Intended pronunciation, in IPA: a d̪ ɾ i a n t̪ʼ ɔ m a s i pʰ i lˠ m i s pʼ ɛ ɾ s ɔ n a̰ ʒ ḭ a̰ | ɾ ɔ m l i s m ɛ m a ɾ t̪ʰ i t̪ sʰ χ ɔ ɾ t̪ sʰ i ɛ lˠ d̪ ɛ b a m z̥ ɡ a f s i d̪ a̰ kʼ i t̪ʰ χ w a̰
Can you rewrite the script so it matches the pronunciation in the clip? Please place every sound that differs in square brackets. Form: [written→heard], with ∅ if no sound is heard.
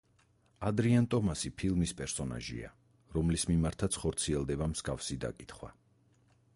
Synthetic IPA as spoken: a d̪ ɾ i a n t̪ʼ ɔ m a s i pʰ i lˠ m i s pʼ ɛ ɾ s ɔ n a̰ ʒ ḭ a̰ | ɾ ɔ m l i s m [ɛ→i] m a ɾ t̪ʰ [i→a] t̪ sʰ χ ɔ ɾ t̪ sʰ i ɛ lˠ d̪ ɛ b a m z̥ ɡ a f s i d̪ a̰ kʼ i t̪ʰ χ w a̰

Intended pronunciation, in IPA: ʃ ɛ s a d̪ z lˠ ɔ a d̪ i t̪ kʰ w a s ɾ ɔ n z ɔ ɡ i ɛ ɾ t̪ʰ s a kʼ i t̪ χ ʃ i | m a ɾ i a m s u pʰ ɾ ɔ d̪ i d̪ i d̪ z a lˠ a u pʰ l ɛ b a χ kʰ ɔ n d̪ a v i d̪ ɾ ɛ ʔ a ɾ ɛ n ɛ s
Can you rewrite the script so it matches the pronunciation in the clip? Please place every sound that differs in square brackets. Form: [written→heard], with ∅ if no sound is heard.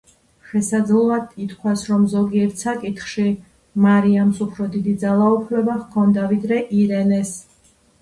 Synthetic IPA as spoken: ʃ ɛ s a d̪ z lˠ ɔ a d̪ i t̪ kʰ w a s ɾ ɔ [n→m] z ɔ ɡ i ɛ ɾ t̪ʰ s a kʼ i t̪ χ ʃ i | m a ɾ i a m s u pʰ ɾ ɔ d̪ i d̪ i d̪ z a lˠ a u pʰ l ɛ b a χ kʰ ɔ n d̪ a v i d̪ ɾ ɛ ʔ [a→i] ɾ ɛ n ɛ s

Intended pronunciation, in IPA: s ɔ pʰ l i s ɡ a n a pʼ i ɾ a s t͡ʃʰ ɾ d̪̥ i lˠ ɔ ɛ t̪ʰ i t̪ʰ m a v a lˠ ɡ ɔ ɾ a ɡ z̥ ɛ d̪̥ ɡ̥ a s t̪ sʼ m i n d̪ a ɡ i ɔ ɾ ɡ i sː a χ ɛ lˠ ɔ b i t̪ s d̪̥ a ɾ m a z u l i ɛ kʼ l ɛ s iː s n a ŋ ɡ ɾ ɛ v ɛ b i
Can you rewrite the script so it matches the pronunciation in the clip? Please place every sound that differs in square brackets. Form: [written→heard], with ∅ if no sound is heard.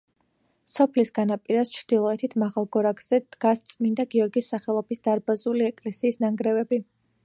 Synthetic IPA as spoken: s ɔ pʰ l i s ɡ a n a pʼ i ɾ a s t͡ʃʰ ɾ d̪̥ i lˠ ɔ ɛ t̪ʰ i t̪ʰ m a [v→ʁ] a lˠ ɡ ɔ ɾ a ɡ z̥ ɛ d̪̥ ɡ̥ a s t̪ sʼ m i n d̪ a ɡ i ɔ ɾ ɡ i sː a χ ɛ lˠ ɔ b i [t̪→∅] s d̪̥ a ɾ [m→b] a z u l i ɛ kʼ l ɛ s iː s n a ŋ ɡ ɾ ɛ v ɛ b i

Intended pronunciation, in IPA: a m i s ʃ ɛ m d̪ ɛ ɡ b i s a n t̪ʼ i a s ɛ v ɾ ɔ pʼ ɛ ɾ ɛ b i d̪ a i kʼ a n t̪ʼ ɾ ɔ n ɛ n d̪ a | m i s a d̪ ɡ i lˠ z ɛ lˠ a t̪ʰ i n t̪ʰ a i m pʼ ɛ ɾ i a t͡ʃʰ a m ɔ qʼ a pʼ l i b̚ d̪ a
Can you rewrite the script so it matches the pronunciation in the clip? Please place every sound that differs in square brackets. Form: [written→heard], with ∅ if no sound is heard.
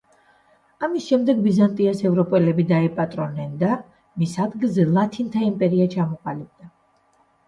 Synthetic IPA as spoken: a m i s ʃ ɛ m d̪ ɛ ɡ b i [s→z] a n t̪ʼ i a s ɛ v ɾ ɔ pʼ ɛ [ɾ→l] ɛ b i d̪ a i [kʼ→pʼ] a [n→∅] t̪ʼ ɾ ɔ n ɛ n d̪ a | m i s a d̪ ɡ i lˠ z ɛ lˠ a t̪ʰ i n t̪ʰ a i m pʼ ɛ ɾ i a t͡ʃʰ a m ɔ qʼ a [pʼ→∅] l i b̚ d̪ a

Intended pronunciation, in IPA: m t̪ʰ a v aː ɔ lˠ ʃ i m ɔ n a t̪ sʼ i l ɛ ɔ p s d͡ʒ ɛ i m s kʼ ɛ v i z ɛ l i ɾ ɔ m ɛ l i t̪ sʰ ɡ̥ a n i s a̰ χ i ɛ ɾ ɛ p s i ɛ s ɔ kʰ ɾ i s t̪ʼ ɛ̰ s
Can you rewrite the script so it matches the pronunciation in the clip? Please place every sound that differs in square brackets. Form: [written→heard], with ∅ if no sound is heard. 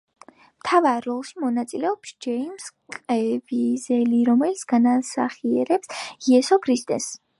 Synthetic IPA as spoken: m t̪ʰ a v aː ɔ lˠ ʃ i m ɔ n a t̪ sʼ i l ɛ ɔ p s d͡ʒ ɛ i m s kʼ ɛ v i z ɛ l i ɾ ɔ m ɛ l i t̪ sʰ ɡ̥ a n [i→a] s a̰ χ i ɛ ɾ ɛ p s i ɛ s ɔ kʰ ɾ i s t̪ʼ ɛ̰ s

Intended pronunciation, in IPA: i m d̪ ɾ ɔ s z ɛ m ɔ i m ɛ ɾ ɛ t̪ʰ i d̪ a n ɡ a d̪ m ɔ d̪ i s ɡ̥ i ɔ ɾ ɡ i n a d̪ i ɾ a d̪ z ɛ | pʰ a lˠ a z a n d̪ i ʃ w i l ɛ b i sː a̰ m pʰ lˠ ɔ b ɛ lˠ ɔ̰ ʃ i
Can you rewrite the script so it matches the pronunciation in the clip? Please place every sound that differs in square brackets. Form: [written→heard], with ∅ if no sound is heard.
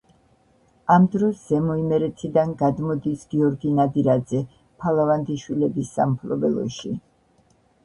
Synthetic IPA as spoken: [i→a] m d̪ ɾ ɔ s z ɛ m ɔ i m ɛ ɾ ɛ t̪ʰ i d̪ a n ɡ a d̪ m ɔ d̪ i s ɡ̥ i ɔ ɾ ɡ i n a d̪ i ɾ a d̪ z ɛ | pʰ a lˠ a [z→v] a n d̪ i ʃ w i l ɛ b i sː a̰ m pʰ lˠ ɔ b ɛ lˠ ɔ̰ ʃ i

